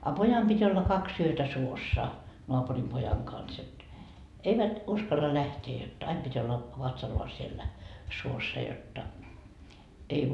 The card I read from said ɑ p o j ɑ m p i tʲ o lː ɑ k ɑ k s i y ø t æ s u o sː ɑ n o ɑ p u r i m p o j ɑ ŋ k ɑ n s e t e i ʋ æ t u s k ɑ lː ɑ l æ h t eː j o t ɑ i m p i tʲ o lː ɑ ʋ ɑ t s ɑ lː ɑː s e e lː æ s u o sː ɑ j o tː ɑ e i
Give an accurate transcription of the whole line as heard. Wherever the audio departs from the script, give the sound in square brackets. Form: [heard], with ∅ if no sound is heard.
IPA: ɑ p o j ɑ m p i tʲ o lː ɑ k ɑ k s i y ø t æ s u o sː ɑ n o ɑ p u r i m p o j ɑ ŋ k ɑ n s e t e i ʋ æ t u s k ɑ lː ɑ l æ h t eː j o t ɑ i m p i tʲ o lː ɑ ʋ ɑ t s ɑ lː ɑː s [i] e lː æ s u o sː ɑ j o tː ɑ e i